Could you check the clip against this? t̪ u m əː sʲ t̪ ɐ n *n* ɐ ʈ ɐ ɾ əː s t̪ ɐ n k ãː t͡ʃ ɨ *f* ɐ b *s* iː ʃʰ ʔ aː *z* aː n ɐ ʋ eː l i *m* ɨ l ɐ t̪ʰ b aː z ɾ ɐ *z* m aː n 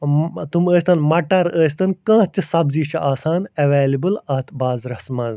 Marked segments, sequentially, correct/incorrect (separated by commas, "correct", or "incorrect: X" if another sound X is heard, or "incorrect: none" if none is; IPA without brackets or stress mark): incorrect: m, incorrect: s, incorrect: z, incorrect: s, incorrect: b, incorrect: s